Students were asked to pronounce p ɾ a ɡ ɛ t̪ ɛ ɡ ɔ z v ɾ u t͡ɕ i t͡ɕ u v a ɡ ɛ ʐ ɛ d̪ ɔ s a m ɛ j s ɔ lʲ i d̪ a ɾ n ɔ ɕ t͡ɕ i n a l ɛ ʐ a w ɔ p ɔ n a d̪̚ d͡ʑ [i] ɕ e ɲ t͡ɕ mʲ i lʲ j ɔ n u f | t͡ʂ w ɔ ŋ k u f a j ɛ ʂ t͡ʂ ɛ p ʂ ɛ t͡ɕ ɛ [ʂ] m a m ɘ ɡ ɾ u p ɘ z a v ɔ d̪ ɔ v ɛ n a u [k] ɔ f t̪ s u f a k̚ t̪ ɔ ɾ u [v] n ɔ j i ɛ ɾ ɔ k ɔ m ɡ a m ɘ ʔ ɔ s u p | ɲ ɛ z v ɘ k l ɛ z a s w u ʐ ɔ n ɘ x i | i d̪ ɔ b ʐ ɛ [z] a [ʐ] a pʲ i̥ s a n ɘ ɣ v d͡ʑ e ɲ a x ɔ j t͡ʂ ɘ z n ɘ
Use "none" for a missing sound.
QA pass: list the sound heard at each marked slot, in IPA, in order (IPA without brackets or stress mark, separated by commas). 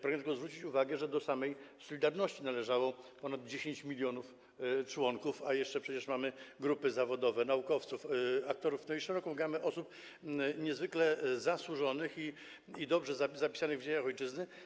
e, ʂ, k, f, z, z